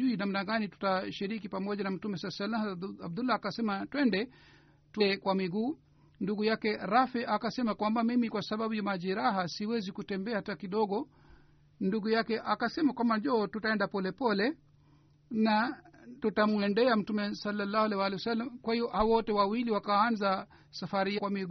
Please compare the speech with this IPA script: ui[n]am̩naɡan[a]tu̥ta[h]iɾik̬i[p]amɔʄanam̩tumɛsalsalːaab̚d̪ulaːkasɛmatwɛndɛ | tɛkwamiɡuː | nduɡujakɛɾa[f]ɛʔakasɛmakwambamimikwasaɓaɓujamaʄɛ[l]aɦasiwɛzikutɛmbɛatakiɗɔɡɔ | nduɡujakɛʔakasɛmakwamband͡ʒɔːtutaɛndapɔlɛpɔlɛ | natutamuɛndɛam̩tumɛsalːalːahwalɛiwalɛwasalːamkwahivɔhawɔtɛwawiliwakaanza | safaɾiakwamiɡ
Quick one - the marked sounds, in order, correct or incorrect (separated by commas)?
correct, incorrect, incorrect, correct, correct, incorrect